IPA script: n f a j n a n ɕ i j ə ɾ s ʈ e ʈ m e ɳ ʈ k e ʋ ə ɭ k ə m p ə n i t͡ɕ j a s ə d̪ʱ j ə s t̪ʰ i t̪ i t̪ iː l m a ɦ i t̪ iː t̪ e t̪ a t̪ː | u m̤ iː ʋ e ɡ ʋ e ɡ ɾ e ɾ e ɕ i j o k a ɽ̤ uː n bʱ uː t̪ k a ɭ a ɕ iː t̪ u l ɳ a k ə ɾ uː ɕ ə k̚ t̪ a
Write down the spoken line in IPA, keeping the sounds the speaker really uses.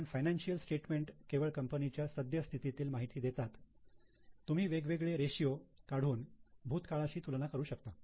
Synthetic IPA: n f a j n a n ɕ i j ə l s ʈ e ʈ m e ɳ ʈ k e ʋ ə ɭ k ə m p ə n i t͡ɕ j a s ə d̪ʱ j ə s t̪ʰ i t̪ i t̪ iː l m a ɦ i t̪ iː d̪ e t̪ a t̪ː | u m̤ iː ʋ e ɡ ʋ e ɡ ɭ e ɾ e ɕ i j o k a ɽ̤ uː n bʱ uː t̪ k a ɭ a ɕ iː t̪ u l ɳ a k ə ɾ uː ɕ ə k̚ t̪ a